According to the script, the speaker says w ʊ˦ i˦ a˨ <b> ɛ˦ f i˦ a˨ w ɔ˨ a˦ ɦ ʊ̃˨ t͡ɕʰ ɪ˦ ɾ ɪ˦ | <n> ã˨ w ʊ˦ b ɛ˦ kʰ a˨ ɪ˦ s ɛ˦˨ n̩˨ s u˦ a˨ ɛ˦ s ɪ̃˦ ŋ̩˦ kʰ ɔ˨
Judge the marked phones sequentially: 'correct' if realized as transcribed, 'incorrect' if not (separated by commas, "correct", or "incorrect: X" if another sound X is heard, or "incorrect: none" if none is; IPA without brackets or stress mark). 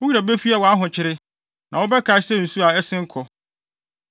correct, correct